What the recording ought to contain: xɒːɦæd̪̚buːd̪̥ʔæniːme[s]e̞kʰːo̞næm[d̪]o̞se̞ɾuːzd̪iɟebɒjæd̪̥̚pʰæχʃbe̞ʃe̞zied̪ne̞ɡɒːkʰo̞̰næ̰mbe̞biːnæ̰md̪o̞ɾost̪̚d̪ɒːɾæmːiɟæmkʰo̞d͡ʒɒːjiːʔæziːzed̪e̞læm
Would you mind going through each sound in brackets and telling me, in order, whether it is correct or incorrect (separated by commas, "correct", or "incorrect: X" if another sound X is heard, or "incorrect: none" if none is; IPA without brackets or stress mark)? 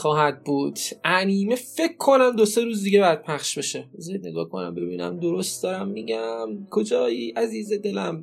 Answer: incorrect: f, correct